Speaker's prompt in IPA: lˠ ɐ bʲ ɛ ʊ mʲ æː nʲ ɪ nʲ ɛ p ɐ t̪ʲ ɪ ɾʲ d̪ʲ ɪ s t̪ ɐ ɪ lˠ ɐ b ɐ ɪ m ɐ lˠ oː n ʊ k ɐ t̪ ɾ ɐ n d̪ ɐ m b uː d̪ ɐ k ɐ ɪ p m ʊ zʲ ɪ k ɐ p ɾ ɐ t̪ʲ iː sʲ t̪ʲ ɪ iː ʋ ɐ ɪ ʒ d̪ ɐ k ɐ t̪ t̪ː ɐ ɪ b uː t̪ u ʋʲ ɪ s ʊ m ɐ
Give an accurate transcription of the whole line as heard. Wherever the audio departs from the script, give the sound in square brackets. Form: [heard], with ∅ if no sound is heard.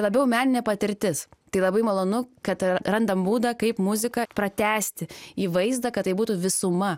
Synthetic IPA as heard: lˠ ɐ bʲ ɛ ʊ mʲ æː nʲ ɪ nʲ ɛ p ɐ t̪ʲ ɪ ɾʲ [t̪ʲ] ɪ s t̪ ɐ ɪ lˠ ɐ b ɐ ɪ m ɐ lˠ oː n ʊ k ɐ t̪ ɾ ɐ n d̪ ɐ m b uː d̪ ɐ k ɐ ɪ p m ʊ zʲ ɪ k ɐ p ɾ ɐ t̪ʲ [æː] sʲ t̪ʲ ɪ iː ʋ ɐ ɪ [z] d̪ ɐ k ɐ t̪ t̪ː ɐ ɪ b uː t̪ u ʋʲ ɪ s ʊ m ɐ